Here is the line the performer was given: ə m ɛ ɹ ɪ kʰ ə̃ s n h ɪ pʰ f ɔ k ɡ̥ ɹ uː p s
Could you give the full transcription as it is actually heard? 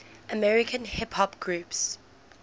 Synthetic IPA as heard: ə m ɛ ɹ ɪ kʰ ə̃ n h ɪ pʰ h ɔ p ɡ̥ ɹ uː p s